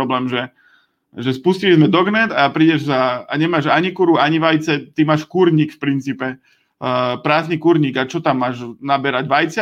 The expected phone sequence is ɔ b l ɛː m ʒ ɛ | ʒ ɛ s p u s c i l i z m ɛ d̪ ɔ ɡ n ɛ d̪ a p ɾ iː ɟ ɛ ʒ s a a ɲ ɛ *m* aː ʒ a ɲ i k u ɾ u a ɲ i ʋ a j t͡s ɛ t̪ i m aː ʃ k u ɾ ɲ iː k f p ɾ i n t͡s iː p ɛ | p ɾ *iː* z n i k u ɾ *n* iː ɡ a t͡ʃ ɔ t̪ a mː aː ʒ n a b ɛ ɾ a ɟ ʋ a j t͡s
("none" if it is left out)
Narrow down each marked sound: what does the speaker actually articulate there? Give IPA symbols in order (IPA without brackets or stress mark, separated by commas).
m, aː, ɲ